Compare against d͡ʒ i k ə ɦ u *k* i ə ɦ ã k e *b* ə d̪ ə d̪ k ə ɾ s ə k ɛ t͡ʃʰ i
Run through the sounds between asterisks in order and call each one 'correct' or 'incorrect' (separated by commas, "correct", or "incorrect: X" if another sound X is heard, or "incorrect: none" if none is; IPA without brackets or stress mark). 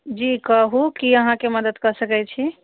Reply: correct, incorrect: m